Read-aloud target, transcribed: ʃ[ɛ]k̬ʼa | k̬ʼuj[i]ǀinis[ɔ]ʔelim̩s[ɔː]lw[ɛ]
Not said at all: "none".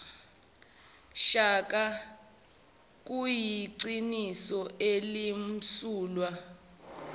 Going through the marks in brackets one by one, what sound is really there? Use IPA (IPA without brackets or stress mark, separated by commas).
a, i, ɔ, uː, a